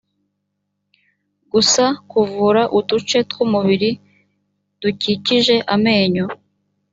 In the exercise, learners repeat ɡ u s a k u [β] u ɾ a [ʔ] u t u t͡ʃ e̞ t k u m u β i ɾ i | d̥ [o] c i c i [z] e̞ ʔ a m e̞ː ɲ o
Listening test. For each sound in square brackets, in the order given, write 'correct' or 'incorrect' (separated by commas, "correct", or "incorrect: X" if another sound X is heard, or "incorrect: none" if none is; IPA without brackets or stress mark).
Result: incorrect: v, correct, incorrect: u, incorrect: ʒ